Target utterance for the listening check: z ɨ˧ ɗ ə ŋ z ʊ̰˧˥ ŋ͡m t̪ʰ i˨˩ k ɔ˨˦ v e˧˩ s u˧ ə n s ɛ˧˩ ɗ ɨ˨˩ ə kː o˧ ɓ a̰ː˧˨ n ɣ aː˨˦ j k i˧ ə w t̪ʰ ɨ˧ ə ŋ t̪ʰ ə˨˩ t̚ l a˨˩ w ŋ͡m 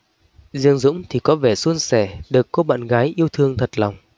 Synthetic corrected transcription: z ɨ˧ ə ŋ z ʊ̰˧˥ ŋ͡m t̪ʰ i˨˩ k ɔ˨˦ v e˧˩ s u˧ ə n s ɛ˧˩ ɗ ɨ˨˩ ə kː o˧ ɓ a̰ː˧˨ n ɣ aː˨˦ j ʔ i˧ ə w t̪ʰ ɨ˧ ə ŋ t̪ʰ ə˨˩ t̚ l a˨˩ w ŋ͡m